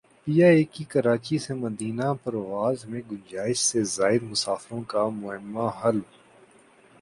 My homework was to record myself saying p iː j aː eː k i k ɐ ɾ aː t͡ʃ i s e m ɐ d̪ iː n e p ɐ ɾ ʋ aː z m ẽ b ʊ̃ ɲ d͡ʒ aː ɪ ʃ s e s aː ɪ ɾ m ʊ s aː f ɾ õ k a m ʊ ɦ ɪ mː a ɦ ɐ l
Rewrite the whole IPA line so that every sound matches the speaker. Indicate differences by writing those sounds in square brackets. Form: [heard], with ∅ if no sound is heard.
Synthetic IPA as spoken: p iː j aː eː k i k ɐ ɾ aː t͡ʃ i s e m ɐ d̪ iː n [a] p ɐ ɾ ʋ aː z m ẽ [ɡ] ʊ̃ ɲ d͡ʒ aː ɪ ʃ s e [z] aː ɪ ɾ m ʊ s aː f ɾ õ k a m ʊ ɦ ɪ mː a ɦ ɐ l